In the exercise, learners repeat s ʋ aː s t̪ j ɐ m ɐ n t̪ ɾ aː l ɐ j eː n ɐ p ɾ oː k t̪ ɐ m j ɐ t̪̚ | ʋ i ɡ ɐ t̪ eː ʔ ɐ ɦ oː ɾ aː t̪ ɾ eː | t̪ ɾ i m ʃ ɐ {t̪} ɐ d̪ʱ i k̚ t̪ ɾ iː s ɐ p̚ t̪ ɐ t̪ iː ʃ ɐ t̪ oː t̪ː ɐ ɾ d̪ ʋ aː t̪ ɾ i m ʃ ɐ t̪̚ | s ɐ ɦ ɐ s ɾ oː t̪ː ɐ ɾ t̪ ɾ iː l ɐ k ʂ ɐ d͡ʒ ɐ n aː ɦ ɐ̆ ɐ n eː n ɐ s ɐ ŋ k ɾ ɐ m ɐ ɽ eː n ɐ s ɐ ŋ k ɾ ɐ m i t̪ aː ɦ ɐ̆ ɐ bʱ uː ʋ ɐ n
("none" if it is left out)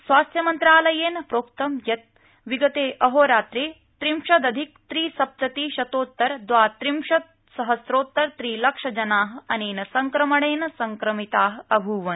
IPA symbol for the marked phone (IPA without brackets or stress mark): d̪